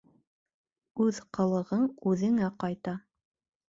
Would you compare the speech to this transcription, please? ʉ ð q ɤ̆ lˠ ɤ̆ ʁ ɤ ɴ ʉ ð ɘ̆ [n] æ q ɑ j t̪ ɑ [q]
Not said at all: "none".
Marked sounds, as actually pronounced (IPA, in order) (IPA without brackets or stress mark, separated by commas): ŋ, none